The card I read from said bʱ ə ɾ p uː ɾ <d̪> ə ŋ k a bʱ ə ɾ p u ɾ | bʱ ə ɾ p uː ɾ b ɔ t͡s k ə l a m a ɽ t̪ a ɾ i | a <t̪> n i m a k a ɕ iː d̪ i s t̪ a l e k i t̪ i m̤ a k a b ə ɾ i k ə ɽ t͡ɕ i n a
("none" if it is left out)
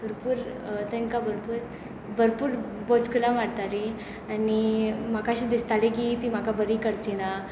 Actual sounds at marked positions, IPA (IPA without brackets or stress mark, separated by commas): t̪, none